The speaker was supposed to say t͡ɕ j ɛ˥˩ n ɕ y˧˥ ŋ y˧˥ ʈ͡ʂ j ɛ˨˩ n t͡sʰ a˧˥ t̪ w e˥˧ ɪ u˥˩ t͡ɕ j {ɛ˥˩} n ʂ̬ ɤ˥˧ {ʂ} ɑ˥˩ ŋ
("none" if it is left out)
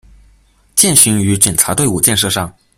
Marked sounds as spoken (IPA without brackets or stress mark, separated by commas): ɛ˥˧, ʂ